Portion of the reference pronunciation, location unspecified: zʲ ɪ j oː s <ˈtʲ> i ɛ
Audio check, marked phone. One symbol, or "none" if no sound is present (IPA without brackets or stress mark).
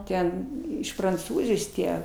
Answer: tʲ